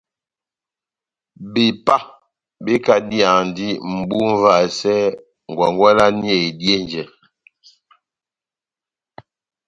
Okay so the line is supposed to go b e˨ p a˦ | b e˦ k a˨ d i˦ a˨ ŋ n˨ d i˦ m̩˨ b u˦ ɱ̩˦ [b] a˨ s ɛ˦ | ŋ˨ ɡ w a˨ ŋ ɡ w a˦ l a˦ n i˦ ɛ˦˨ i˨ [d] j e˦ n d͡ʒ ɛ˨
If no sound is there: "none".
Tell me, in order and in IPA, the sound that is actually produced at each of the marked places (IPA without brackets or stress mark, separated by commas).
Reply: v, d